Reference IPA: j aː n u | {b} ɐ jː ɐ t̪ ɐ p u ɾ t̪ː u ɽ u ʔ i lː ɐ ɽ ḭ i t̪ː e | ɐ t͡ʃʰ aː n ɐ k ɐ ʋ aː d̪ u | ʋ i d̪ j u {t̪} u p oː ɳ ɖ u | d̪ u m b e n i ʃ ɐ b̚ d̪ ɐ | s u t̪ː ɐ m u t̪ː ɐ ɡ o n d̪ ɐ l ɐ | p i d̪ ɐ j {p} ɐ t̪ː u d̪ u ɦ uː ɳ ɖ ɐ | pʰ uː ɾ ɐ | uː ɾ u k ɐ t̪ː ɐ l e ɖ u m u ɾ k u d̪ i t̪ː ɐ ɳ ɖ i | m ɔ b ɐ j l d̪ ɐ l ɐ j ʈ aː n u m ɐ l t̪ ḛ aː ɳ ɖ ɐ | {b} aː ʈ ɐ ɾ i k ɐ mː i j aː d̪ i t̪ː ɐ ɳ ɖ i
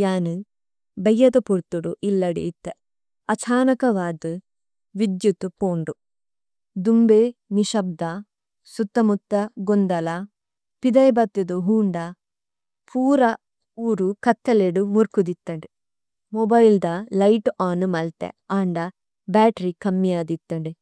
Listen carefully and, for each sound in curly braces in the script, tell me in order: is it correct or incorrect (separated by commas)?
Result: correct, correct, incorrect, correct